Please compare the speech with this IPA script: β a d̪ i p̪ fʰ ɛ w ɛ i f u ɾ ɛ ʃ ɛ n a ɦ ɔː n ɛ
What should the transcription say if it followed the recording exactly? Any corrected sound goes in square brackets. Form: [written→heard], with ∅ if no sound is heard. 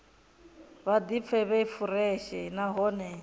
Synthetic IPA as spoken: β a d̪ i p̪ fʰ ɛ [w→β] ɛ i f u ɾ ɛ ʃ ɛ n a ɦ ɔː n ɛ